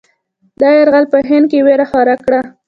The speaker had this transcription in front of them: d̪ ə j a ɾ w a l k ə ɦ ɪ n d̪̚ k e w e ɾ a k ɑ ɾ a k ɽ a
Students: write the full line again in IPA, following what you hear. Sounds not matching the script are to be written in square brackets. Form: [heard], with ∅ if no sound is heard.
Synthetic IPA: d̪ [ɑ] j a ɾ [ɣ] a l [p] ə ɦ ɪ n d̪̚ k e w e ɾ a [x] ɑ ɾ a k ɽ a